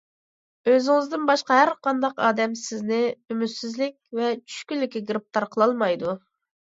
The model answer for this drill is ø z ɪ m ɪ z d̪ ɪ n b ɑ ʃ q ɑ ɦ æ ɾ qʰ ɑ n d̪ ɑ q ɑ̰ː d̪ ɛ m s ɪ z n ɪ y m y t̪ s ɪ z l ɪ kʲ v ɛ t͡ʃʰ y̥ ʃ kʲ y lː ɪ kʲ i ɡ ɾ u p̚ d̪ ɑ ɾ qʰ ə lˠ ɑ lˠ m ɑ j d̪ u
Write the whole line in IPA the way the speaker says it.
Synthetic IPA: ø z ɪ ŋ ɪ z d̪ ɪ n b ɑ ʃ q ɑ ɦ æ ɾ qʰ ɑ n d̪ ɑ q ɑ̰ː d̪ ɛ m s ɪ z n ɪ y m y t̪ s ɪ z l ɪ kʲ v ɛ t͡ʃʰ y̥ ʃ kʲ y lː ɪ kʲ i ɡ ɾ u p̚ t̪ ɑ ɾ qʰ ə lˠ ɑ lˠ m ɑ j d̪ u